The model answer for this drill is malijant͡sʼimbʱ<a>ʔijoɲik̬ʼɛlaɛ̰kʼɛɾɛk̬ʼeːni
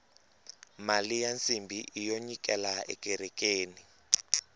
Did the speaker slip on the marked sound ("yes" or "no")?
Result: yes